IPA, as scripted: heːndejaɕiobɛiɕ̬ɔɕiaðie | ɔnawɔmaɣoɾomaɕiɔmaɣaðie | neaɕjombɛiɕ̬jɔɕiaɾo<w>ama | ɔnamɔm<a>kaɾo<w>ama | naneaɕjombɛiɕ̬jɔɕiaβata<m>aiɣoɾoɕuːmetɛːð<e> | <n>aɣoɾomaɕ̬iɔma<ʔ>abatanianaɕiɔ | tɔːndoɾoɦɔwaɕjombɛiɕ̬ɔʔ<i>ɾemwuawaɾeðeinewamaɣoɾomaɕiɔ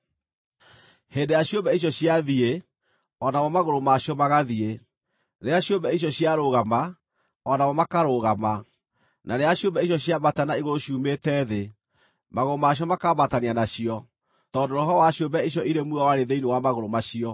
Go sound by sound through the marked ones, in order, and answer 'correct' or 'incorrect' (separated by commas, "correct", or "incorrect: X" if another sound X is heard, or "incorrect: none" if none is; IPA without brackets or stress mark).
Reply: incorrect: ɣ, correct, incorrect: ɣ, incorrect: n, correct, incorrect: m, incorrect: k, correct